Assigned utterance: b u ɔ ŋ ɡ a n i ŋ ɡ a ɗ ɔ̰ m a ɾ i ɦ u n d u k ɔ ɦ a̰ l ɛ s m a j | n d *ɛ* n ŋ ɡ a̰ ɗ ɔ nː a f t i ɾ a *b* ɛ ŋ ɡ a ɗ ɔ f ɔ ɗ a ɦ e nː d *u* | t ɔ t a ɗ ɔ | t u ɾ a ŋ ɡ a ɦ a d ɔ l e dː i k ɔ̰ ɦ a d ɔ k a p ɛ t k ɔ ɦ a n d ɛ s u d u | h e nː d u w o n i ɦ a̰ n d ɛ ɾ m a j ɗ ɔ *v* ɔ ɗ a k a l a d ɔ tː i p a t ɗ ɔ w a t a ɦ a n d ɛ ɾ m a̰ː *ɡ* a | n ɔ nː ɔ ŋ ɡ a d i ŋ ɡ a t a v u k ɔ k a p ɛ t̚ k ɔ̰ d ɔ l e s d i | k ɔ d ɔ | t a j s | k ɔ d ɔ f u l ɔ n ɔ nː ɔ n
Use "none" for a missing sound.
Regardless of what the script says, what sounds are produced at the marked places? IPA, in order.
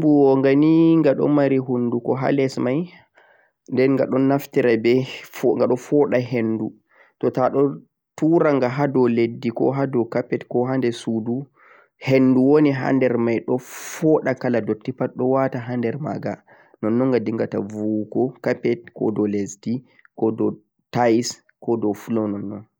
ɛ, b, u, f, ɡ

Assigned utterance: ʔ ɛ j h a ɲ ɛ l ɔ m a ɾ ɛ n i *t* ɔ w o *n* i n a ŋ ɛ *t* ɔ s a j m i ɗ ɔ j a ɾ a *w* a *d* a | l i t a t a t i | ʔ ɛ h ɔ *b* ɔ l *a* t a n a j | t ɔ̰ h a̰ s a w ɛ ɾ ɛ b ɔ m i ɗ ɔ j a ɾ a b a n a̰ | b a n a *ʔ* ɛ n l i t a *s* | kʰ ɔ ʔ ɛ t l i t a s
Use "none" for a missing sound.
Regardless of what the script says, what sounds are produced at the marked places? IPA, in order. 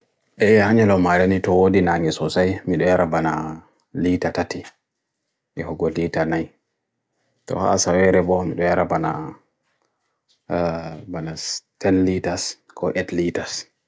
t, d, s, b, n, ɡ, i, t, s

